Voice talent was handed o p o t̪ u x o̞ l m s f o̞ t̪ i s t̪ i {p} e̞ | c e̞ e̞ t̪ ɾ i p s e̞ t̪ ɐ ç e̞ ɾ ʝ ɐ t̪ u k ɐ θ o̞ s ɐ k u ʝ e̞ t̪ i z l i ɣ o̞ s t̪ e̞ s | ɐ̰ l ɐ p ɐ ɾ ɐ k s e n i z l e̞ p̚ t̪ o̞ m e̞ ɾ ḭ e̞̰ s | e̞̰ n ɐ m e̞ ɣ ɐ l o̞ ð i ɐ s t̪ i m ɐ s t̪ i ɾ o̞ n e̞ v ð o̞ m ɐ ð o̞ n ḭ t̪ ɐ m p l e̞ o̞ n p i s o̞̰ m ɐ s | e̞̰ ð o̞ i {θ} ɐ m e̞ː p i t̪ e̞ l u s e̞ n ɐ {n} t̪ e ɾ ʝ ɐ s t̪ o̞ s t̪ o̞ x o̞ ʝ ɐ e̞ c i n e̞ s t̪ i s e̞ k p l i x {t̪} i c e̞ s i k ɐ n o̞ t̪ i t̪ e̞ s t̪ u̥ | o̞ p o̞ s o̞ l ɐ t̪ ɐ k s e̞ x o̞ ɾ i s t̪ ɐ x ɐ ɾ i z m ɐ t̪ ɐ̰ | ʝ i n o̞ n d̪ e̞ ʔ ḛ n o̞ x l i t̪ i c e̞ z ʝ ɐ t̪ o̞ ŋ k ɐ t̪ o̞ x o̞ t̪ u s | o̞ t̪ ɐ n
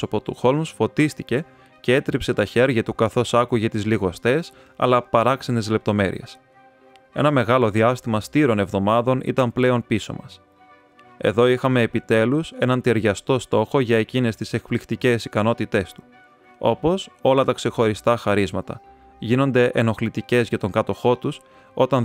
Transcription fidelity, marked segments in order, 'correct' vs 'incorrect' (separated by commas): incorrect, incorrect, correct, correct